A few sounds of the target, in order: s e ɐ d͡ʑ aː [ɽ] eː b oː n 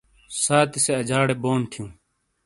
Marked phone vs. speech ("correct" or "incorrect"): correct